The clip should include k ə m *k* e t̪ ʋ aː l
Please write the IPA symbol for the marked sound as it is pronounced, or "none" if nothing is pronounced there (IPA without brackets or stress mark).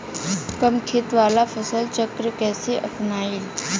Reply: kʰ